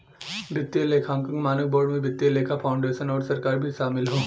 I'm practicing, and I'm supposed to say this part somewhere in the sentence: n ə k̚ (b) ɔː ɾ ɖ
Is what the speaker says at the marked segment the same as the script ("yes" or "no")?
yes